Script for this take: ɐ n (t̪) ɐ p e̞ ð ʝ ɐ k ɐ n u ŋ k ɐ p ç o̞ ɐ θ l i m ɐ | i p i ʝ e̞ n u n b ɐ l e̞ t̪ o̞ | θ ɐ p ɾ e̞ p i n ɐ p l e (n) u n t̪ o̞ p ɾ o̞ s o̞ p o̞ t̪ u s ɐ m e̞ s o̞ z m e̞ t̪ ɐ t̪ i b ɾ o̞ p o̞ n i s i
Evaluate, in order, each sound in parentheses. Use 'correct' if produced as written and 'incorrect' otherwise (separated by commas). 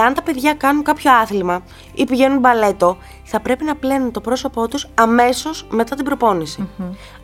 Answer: correct, correct